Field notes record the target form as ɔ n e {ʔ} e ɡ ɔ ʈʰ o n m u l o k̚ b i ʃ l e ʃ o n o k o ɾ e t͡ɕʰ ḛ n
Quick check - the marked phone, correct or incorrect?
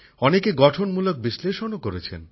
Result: incorrect